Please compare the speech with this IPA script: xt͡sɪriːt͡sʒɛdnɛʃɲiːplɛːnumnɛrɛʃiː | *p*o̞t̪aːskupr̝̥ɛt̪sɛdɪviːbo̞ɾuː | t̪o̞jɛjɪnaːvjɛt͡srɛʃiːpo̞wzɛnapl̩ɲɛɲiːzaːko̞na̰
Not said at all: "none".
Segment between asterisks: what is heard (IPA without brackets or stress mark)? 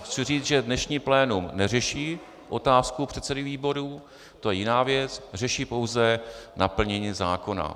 ʔ